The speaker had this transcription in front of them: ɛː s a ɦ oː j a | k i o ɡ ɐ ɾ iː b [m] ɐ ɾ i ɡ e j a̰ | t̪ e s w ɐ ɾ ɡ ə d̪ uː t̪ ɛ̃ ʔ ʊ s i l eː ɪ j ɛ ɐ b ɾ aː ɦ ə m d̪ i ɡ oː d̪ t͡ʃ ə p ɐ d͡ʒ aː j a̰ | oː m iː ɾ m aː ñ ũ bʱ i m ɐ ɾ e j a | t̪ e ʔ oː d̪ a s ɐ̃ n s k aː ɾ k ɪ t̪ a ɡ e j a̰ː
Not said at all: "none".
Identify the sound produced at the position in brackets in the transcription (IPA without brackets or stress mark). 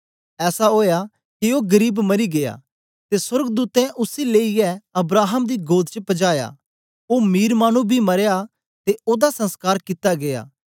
m